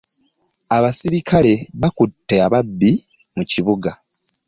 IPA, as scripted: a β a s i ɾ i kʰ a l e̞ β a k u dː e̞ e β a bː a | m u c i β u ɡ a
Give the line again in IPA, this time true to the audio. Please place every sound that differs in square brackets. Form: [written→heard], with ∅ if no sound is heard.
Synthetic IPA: a β a s i ɾ i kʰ a l e̞ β a k u [dː→tː] e̞ [e→a] β a bː [a→i] | m u c i β u ɡ a